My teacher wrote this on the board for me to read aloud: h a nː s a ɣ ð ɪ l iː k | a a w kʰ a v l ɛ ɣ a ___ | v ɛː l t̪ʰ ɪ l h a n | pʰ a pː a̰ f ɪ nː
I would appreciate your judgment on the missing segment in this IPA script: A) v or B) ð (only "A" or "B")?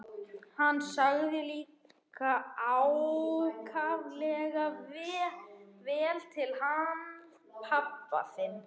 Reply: A